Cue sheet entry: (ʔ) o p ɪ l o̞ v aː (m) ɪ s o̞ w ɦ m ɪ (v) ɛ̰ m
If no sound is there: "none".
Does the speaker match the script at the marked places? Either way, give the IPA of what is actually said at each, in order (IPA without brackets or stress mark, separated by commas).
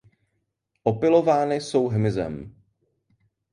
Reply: ʔ, n, z